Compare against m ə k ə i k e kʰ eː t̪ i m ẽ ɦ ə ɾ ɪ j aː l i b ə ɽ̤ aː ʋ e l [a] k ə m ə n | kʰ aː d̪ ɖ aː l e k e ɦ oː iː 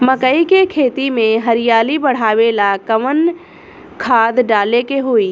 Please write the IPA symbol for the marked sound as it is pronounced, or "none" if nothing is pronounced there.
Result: a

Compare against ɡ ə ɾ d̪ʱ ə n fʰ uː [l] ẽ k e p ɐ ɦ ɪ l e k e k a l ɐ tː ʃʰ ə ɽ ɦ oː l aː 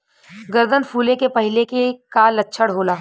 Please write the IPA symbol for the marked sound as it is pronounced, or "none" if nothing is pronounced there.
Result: l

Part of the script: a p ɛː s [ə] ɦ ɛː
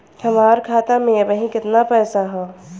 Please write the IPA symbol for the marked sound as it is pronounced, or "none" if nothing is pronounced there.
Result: a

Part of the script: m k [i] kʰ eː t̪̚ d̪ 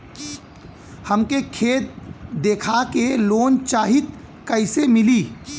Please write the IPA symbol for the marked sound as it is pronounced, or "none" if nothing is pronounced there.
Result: e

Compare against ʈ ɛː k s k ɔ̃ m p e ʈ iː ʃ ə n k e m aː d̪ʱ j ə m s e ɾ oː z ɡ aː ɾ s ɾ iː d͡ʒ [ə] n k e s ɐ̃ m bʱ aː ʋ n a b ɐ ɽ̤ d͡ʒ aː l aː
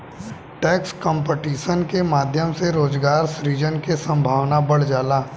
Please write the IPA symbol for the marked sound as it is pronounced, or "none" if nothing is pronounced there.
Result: ə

